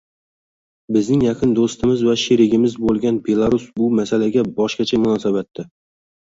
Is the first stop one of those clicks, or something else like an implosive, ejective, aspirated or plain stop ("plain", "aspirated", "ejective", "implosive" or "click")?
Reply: plain